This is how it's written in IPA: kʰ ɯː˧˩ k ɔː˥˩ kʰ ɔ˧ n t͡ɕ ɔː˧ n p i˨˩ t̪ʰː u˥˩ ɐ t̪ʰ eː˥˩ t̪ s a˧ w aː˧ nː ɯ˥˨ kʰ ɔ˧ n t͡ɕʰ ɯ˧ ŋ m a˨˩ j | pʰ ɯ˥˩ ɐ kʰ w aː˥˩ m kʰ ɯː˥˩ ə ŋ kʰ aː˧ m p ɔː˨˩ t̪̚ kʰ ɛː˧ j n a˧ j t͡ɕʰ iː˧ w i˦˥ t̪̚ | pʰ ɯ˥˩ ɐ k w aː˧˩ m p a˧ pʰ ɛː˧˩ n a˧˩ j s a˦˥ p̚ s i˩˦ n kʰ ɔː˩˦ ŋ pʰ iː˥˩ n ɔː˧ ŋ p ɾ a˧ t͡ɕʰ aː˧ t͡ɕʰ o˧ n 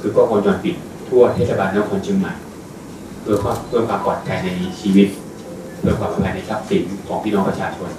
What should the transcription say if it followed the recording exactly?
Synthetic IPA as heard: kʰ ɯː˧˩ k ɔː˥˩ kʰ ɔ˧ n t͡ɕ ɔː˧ n p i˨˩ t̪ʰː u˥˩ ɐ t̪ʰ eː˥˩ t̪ s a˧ b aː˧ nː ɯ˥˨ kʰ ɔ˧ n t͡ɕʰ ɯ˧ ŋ m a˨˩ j | pʰ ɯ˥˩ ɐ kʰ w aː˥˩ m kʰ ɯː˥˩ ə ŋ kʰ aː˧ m p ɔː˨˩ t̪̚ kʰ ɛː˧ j n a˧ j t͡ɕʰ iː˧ w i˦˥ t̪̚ | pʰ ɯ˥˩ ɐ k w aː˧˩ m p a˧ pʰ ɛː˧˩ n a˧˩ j s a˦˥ p̚ s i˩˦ n kʰ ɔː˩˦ ŋ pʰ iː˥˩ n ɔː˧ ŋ p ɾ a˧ t͡ɕʰ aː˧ t͡ɕʰ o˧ n